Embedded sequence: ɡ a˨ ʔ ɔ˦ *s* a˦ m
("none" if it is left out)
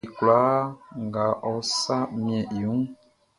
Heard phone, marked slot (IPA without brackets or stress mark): s